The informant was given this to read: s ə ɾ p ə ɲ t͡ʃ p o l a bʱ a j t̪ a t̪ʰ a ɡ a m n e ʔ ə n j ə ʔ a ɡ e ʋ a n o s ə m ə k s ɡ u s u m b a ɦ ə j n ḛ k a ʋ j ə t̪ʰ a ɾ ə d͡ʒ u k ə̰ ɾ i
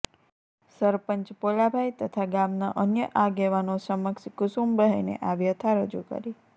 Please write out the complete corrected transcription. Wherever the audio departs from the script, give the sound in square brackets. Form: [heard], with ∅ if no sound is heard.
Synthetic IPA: s ə ɾ p ə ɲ t͡ʃ p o l a bʱ a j t̪ [ə] t̪ʰ a ɡ a m n [a] ʔ ə n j ə ʔ a ɡ e ʋ a n o s ə m ə k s [k] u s u m b [ə] ɦ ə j n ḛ [ʔ] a ʋ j ə t̪ʰ a ɾ ə d͡ʒ u k ə̰ ɾ i